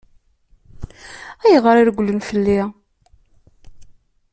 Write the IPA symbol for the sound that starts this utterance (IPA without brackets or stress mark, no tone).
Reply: æ